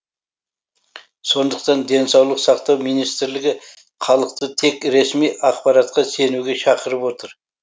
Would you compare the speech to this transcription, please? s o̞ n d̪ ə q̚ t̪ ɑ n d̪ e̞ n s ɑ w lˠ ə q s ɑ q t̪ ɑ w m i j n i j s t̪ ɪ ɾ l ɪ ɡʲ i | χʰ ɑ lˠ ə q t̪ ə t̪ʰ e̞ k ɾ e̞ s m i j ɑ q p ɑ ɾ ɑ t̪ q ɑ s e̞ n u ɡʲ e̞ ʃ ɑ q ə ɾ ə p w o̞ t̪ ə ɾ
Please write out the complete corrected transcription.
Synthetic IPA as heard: s o̞ n d̪ ə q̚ t̪ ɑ n d̪ e̞ n s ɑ w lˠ ə q s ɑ q t̪ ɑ w m i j n i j s t̪ ɪ ɾ l ɪ ɡʲ ɪ | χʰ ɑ lˠ ə q t̪ ə t̪ʰ e̞ k ɾ e̞ s m i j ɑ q p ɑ ɾ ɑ t̪ q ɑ s e̞ n u ɡʲ e̞ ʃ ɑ q ə ɾ ə p w o̞ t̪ ə ɾ

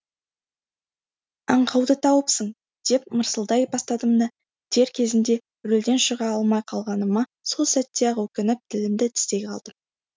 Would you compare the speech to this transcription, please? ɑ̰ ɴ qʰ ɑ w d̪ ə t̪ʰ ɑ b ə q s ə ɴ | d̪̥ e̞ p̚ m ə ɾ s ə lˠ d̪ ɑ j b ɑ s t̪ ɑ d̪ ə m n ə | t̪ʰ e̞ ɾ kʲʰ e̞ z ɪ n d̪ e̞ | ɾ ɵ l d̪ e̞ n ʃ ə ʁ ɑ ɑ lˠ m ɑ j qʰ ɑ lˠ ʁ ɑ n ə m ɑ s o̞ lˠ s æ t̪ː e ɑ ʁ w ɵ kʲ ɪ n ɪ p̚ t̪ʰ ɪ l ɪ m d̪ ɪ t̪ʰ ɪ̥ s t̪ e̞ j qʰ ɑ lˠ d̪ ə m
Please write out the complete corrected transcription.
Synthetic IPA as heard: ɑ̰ ɴ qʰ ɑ w d̪ ə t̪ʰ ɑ w ə p s ə ɴ | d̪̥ e̞ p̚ m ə ɾ s ə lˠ d̪ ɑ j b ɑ s t̪ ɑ d̪ ə m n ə | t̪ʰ e̞ ɾ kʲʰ e̞ z ɪ n d̪ e̞ | ɾ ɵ l d̪ e̞ n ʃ ə ʁ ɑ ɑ lˠ m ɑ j qʰ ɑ lˠ ʁ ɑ n ə m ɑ s o̞ lˠ s æ t̪ː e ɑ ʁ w ɵ kʲ ɪ n ɪ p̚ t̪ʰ ɪ l ɪ m d̪ ɪ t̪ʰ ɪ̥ s t̪ e̞ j qʰ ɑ lˠ d̪ ə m

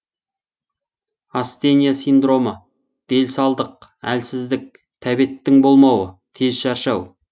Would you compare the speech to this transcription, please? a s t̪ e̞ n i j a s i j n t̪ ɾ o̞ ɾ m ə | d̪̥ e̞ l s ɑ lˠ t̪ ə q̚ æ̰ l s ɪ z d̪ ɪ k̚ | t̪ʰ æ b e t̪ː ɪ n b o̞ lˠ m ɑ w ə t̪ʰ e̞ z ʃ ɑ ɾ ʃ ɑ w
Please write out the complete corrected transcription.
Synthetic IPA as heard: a s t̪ e̞ n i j a s i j n d̪ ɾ o̞ m ə | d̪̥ e̞ l s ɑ lˠ d̪ ə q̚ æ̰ l s ɪ z d̪ ɪ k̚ | t̪ʰ æ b e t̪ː ɪ ŋ b o̞ lˠ m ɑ w ə t̪ʰ e̞ z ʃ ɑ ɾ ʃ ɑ w

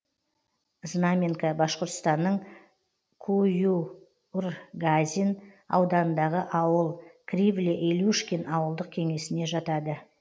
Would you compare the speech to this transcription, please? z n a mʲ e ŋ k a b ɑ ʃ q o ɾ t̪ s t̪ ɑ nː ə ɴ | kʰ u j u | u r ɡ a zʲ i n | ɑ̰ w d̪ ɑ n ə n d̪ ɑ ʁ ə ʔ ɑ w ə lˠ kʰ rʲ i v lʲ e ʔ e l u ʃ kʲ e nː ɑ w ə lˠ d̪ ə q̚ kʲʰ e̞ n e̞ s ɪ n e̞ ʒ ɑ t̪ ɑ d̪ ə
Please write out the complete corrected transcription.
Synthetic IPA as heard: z n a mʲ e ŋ k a b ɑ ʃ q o ɾ t̪ s t̪ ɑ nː ə ɴ | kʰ u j u | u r ɡ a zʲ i n | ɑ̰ w d̪ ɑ n ə n d̪ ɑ ʁ ə ʔ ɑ w ə lˠ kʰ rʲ i v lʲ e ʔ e l u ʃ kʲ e n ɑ w ə lˠ d̪ ə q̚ kʲʰ e̞ ŋ e̞ s ɪ n e̞ ʒ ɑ t̪ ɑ d̪ ə

